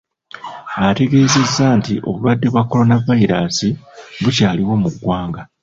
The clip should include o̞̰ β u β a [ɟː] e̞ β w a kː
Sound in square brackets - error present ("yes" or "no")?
yes